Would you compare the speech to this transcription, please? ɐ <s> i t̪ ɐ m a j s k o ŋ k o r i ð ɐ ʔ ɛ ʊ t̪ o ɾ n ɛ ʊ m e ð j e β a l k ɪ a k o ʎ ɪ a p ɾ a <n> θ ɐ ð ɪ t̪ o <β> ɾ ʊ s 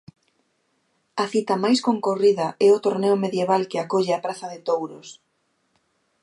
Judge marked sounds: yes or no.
no, no, no

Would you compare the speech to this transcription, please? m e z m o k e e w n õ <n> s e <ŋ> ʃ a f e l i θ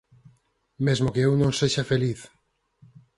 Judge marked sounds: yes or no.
no, no

